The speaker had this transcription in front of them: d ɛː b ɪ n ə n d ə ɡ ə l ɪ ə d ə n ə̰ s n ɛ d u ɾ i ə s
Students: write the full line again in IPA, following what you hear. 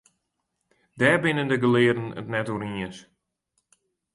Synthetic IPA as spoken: d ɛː b ɪ n ə n d ə ɡ ə l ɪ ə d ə n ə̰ t n ɛ t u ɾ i ə s